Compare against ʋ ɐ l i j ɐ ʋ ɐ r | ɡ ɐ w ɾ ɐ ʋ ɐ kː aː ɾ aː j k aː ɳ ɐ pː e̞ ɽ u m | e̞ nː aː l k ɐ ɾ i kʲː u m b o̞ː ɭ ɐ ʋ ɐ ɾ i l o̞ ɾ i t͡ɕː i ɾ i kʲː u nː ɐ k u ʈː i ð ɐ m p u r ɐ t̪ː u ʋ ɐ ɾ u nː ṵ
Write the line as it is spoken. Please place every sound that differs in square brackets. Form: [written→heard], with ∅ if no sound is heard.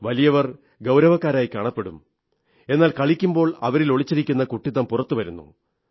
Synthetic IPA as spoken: ʋ ɐ l i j ɐ ʋ ɐ r | ɡ ɐ w ɾ ɐ ʋ ɐ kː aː ɾ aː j k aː ɳ ɐ pː e̞ ɽ u m | e̞ nː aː l k ɐ [ɾ→ɭ] i kʲː u m b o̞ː ɭ ɐ ʋ ɐ ɾ i l o̞ [ɾ→ɭ] i t͡ɕː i ɾ i kʲː u nː ɐ k u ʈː i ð ɐ m p u r ɐ t̪ː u ʋ ɐ ɾ u nː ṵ

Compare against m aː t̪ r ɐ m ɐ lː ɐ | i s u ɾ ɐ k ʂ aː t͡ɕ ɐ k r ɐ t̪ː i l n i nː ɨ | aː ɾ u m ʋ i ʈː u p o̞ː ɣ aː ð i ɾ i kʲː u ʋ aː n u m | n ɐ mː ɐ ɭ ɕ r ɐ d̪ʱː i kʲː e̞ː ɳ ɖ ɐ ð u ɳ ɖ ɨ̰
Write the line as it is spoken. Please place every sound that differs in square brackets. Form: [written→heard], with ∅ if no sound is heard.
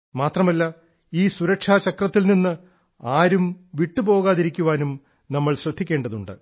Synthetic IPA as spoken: m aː t̪ r ɐ m ɐ lː ɐ | [i→iː] s u ɾ ɐ k ʂ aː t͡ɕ ɐ k r ɐ t̪ː i l n i nː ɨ | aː ɾ u m ʋ i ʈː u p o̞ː ɣ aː ð i ɾ i kʲː u ʋ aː n u m | n ɐ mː ɐ ɭ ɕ r ɐ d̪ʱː i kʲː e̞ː ɳ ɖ ɐ ð u ɳ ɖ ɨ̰

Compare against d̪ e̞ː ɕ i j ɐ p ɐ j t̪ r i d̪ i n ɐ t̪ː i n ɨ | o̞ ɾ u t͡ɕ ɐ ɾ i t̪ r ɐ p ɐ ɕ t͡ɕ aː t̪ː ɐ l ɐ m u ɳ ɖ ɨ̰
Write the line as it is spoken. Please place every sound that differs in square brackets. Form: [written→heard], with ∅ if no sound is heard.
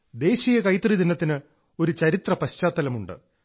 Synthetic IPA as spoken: d̪ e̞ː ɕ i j ɐ [p→k] ɐ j t̪ r i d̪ i n ɐ t̪ː i n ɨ | o̞ ɾ u t͡ɕ ɐ ɾ i t̪ r ɐ p ɐ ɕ t͡ɕ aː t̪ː ɐ l ɐ m u ɳ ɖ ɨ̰

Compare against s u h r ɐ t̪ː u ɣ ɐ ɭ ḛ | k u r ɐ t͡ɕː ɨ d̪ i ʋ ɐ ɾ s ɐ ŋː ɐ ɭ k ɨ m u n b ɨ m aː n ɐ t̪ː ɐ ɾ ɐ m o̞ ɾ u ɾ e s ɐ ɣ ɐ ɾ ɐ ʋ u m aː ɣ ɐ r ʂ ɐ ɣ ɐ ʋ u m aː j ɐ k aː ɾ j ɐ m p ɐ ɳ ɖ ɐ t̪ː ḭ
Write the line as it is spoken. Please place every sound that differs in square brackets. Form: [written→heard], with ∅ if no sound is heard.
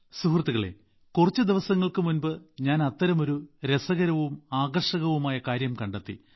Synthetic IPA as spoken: s u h r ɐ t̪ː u ɣ ɐ ɭ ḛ | k u r ɐ t͡ɕː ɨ d̪ i ʋ ɐ [ɾ→∅] s ɐ ŋː ɐ ɭ k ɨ m u n b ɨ [m→ɲ] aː n ɐ t̪ː ɐ ɾ ɐ m o̞ ɾ u ɾ e s ɐ ɣ ɐ ɾ ɐ ʋ u m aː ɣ ɐ r ʂ ɐ ɣ ɐ ʋ u m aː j ɐ k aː ɾ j ɐ m [p→k] ɐ ɳ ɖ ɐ t̪ː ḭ

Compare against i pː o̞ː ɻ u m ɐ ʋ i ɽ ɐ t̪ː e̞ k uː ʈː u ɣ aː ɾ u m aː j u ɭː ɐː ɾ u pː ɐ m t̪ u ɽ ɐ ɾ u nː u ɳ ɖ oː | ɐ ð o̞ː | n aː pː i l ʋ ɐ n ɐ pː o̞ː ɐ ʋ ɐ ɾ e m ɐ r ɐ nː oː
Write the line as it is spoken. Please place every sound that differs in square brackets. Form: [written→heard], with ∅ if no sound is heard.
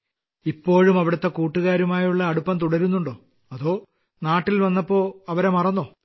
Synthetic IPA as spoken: i pː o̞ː ɻ u m ɐ ʋ i ɽ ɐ t̪ː e̞ k uː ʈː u ɣ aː ɾ u m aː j u ɭː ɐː [ɾ→ɽ] u pː ɐ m t̪ u ɽ ɐ ɾ u nː u ɳ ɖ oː | ɐ ð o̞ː | n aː [pː→ʈː] i l ʋ ɐ [n→nː] ɐ pː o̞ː ɐ ʋ ɐ ɾ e m ɐ r ɐ nː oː

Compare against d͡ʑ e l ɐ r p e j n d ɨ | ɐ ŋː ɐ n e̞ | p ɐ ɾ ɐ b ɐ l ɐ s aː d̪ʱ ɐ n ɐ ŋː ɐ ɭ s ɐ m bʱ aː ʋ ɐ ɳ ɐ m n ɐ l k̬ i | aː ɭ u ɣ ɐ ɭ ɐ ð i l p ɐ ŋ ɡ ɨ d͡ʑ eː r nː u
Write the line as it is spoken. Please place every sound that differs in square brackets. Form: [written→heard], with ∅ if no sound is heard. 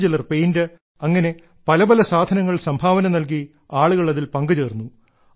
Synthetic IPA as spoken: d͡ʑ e l ɐ r p e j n d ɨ | ɐ ŋː ɐ n e̞ | p ɐ [ɾ→l] ɐ b ɐ l ɐ s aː d̪ʱ ɐ n ɐ ŋː ɐ ɭ s ɐ m bʱ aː ʋ ɐ [ɳ→n] ɐ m n ɐ l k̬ i | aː ɭ u ɣ ɐ ɭ ɐ ð i l p ɐ ŋ ɡ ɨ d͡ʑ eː r nː u

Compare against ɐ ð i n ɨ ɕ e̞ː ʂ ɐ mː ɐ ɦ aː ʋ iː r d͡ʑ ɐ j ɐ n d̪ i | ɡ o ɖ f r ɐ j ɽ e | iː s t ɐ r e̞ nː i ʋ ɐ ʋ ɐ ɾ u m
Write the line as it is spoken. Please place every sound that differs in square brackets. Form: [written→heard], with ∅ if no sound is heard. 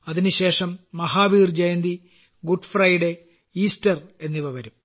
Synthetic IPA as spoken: ɐ ð i n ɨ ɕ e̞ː ʂ ɐ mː ɐ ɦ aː ʋ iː r d͡ʑ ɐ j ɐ n d̪ i | ɡ [o→u] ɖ f r ɐ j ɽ e | iː s t ɐ r e̞ nː i ʋ ɐ ʋ ɐ ɾ u m

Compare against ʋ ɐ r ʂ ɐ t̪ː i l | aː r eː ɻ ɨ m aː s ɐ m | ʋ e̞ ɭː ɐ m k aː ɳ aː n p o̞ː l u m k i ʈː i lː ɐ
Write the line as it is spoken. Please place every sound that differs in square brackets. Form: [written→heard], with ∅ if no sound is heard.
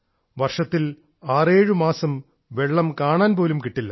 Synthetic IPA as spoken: ʋ ɐ r ʂ ɐ t̪ː i l | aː r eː ɻ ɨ m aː s ɐ m | ʋ e̞ ɭː ɐ m k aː ɳ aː n p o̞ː l u m k i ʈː i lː ɐ

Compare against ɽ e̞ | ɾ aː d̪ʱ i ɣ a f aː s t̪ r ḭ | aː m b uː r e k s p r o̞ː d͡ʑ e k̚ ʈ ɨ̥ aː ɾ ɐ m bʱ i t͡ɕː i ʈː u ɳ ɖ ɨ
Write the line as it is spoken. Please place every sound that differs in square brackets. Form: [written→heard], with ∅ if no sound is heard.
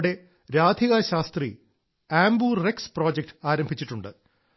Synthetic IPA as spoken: ɽ e̞ | ɾ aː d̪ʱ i ɣ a [f→ɕ] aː s t̪ r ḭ | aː m b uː r e k s p r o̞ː d͡ʑ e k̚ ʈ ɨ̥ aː ɾ ɐ m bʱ i t͡ɕː i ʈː u ɳ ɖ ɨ

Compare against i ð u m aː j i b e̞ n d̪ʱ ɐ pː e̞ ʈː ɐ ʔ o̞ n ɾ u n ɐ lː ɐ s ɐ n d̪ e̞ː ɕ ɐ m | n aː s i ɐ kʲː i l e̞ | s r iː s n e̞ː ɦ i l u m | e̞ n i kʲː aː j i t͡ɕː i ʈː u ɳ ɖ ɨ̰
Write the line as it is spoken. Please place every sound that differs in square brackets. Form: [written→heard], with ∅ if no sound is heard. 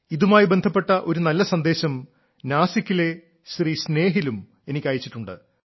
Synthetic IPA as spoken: i ð u m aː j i b e̞ n d̪ʱ ɐ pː e̞ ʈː ɐ ʔ o̞ [n→∅] ɾ u n ɐ lː ɐ s ɐ n d̪ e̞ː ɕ ɐ m | n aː s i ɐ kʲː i l e̞ | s r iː s n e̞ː ɦ i l u m | e̞ n i kʲː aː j i t͡ɕː i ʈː u ɳ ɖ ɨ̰

